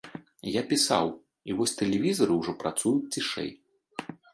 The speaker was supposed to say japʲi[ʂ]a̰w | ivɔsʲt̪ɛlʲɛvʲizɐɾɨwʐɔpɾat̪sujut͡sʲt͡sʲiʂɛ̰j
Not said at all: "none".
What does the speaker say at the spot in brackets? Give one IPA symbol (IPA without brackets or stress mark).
s